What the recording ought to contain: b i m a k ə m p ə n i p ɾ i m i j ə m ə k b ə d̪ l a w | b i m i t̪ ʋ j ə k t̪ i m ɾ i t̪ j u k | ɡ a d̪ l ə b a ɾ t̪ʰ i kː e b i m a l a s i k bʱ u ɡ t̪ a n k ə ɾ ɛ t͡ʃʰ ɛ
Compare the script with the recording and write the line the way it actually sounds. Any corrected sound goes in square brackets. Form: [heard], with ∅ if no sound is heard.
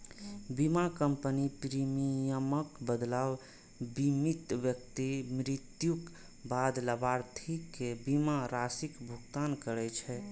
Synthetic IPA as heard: b i m a k ə m p ə n i p ɾ i m i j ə m ə k b ə d̪ l a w | b i m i t̪ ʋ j ə k t̪ i m ɾ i t̪ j u k | [b] a d̪ l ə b a ɾ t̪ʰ i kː e b i m a [ɾ] a s i k bʱ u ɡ t̪ a n k ə ɾ ɛ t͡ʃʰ ɛ